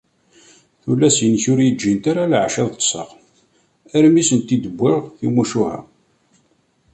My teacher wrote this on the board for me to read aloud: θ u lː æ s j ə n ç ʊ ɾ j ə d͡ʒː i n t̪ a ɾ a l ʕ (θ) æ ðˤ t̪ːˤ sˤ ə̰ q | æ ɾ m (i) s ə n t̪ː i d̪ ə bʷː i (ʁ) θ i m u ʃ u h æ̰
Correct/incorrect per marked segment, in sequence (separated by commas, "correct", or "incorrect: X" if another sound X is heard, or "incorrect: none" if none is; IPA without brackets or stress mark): incorrect: ʃ, correct, correct